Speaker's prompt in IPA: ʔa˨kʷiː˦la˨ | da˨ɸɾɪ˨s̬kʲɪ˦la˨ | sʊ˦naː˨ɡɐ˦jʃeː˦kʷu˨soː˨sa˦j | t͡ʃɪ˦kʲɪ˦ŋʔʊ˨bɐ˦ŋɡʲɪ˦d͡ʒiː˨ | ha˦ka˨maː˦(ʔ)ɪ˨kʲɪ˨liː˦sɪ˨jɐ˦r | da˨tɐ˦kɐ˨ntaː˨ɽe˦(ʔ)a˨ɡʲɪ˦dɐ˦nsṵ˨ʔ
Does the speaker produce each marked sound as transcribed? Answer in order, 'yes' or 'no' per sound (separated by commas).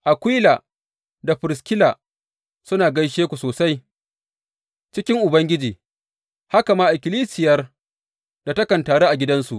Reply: yes, yes